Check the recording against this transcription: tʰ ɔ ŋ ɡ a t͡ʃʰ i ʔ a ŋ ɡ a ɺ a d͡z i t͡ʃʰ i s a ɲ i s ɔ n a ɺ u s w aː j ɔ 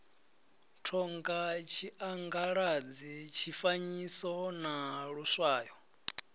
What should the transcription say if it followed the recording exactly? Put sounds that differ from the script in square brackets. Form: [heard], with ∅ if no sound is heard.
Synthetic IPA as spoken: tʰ ɔ ŋ ɡ a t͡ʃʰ i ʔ a ŋ ɡ a ɺ a d͡z i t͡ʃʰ i [f] a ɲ i s ɔ n a ɺ u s w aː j ɔ